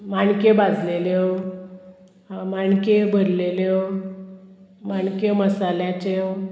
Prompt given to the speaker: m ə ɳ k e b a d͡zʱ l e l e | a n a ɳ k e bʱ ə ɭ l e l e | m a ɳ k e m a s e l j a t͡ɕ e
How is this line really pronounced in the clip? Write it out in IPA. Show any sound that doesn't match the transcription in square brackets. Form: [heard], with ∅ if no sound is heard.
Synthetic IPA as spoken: m [a] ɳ k e b a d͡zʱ l e l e | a [m] a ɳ k e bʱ ə [ɾ] l e l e | m a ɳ k e m [ə] s [a] l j a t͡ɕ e

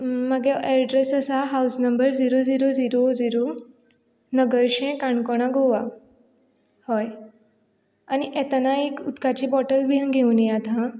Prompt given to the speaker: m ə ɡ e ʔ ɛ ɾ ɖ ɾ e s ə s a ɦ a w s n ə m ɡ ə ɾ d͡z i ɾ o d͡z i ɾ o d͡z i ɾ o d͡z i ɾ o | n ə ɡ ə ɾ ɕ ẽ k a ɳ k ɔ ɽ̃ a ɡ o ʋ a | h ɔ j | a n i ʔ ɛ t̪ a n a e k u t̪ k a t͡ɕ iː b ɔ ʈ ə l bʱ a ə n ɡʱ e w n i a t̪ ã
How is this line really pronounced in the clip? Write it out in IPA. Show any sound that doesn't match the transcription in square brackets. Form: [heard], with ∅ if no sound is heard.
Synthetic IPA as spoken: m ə ɡ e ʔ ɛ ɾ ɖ ɾ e s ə s a ɦ a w s n ə m [b] ə ɾ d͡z i ɾ o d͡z i ɾ o d͡z i ɾ o d͡z i ɾ o | n ə ɡ ə ɾ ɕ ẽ k a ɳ k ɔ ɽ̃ a ɡ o ʋ a | h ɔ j | a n i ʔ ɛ t̪ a n a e k u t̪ k a t͡ɕ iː b ɔ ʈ ə l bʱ [i] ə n ɡʱ e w n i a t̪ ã

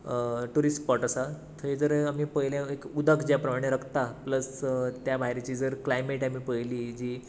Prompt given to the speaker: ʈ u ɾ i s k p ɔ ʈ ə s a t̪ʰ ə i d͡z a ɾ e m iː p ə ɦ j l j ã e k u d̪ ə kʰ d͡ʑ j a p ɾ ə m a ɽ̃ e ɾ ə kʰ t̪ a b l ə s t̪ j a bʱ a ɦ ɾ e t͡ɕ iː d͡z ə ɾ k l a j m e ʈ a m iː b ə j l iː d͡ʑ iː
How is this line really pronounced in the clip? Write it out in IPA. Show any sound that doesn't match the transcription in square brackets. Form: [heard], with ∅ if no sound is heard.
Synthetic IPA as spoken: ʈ u ɾ i s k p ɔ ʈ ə s a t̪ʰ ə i d͡z [ə] ɾ [a] m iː p ə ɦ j l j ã e k u d̪ ə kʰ d͡ʑ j a p ɾ ə m a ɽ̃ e ɾ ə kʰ t̪ a [p] l ə s t̪ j a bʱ a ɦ ɾ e t͡ɕ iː d͡z ə ɾ k l a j m e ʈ a m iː [p] ə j l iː d͡ʑ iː

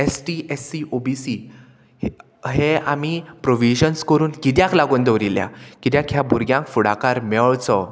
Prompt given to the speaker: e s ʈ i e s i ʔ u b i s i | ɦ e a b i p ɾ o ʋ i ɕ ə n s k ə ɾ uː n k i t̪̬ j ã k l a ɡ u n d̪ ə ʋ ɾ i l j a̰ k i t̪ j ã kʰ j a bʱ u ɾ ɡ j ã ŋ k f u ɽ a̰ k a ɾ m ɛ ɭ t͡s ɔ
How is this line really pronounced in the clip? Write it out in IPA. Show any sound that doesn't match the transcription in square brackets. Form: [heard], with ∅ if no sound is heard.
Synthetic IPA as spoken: e s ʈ i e s i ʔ [o] b i s i | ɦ e a [m] i p ɾ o ʋ i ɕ ə n s k ə ɾ uː n k i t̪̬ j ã k l a ɡ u n d̪ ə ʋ ɾ i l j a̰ k i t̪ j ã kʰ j a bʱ u ɾ ɡ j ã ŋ k f u ɽ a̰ k a ɾ m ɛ ɭ t͡s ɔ

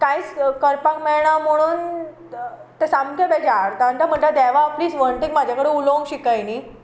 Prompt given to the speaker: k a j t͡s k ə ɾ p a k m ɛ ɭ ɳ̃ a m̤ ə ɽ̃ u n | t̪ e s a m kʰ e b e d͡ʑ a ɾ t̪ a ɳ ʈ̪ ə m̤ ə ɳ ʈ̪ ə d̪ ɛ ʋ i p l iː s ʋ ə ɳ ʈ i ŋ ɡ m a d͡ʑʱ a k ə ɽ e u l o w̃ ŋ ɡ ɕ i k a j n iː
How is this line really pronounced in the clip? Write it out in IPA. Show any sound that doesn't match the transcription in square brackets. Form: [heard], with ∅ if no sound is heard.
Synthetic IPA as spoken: k a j t͡s k ə ɾ p a k m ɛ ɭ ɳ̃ a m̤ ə ɽ̃ [uː] n | t̪ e s a m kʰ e b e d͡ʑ a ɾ t̪ a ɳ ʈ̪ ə m̤ ə ɳ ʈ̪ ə d̪ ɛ ʋ [a] p l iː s ʋ ə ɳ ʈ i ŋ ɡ m a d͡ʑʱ a k ə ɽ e u l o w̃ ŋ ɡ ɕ i k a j n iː

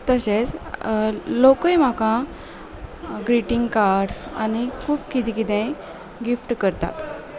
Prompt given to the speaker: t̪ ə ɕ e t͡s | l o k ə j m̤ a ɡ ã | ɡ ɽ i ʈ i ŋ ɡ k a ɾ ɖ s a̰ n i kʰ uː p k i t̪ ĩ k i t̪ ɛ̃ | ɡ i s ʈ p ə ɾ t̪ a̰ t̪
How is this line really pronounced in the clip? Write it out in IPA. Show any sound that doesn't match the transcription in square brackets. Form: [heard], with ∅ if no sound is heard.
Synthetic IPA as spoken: t̪ ə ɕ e t͡s | l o k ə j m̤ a [k] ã | ɡ [ɾ] i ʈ i ŋ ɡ k a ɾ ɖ s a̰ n i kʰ uː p k i t̪ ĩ k i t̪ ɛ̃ | ɡ i [f] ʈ [k] ə ɾ t̪ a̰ t̪

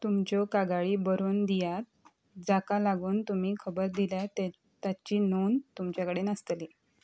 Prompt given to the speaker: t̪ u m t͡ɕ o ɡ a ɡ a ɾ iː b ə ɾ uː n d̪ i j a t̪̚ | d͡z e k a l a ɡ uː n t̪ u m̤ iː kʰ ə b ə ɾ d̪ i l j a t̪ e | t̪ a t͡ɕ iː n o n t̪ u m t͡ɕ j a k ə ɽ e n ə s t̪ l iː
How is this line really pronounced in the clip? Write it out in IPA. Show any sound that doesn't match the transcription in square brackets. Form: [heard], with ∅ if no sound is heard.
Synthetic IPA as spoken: t̪ u m t͡ɕ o [k] a ɡ a [ɭ] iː b ə ɾ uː n d̪ i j a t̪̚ | d͡z [a] k a l a ɡ uː n t̪ u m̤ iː kʰ ə b ə ɾ d̪ i l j a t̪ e | t̪ a t͡ɕ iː n o n t̪ u m t͡ɕ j a k ə ɽ e n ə s t̪ l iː

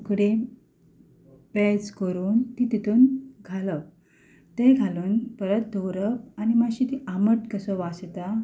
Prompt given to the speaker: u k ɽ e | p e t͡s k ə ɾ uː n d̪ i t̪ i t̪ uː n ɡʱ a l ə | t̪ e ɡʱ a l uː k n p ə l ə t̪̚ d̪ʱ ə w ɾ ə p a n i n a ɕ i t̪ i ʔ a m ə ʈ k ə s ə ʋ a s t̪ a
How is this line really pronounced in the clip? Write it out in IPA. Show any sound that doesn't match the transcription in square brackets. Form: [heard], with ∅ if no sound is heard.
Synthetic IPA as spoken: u k ɽ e | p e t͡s k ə ɾ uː n [t̪] i t̪ i t̪ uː n ɡʱ a l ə | t̪ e ɡʱ a l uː [∅] n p ə [ɾ] ə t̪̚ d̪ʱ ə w ɾ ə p a n i [m] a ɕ i t̪ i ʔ a m ə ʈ k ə s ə ʋ a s t̪ a

